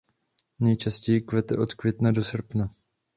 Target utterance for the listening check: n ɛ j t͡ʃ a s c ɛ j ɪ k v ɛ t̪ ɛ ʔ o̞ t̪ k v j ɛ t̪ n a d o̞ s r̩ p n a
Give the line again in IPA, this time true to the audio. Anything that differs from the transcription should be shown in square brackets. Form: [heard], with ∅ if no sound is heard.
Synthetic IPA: n ɛ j t͡ʃ a s c ɛ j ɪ k v ɛ t̪ ɛ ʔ o̞ t̪ k v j ɛ t̪ n a d o̞ s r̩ p n a